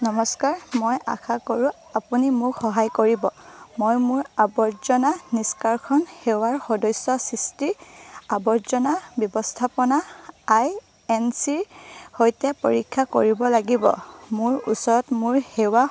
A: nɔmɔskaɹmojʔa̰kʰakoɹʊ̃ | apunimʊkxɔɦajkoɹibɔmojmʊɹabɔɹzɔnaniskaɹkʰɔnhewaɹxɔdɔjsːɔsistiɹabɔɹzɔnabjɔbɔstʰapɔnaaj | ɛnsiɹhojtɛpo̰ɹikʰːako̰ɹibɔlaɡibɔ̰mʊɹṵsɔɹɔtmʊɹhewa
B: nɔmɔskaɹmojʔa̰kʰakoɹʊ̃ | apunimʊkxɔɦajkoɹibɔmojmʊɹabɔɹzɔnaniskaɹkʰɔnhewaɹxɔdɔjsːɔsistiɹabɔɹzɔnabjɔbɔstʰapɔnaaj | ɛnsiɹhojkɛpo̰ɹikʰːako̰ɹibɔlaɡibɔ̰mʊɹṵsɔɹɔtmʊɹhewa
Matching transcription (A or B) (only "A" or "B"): A